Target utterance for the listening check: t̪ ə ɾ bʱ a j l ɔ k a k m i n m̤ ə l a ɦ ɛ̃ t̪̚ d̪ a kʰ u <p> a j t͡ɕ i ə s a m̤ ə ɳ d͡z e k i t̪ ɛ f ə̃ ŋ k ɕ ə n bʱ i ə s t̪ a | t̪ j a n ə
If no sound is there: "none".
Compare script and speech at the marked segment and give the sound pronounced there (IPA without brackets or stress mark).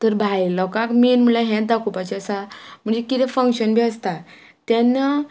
p